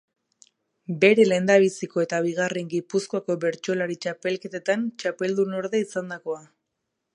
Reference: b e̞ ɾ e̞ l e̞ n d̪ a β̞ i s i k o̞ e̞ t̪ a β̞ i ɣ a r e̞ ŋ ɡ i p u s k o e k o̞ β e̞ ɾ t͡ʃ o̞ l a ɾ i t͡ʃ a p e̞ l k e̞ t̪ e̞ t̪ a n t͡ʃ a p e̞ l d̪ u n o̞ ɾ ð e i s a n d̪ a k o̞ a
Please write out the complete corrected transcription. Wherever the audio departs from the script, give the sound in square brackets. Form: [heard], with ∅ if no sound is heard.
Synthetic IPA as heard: b e̞ ɾ e̞ l e̞ n d̪ a β̞ i s i k o̞ e̞ t̪ a β̞ i ɣ a r e̞ ŋ ɡ i p u s k o [a] k o̞ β e̞ ɾ t͡ʃ o̞ l a ɾ i t͡ʃ a p e̞ l k e̞ t̪ e̞ t̪ a n t͡ʃ a p e̞ l d̪ u n o̞ ɾ ð e i s a n d̪ a k o̞ a